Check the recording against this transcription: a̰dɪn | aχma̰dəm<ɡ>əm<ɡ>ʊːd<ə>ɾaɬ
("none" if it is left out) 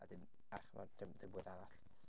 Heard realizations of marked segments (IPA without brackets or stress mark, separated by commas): d, b, a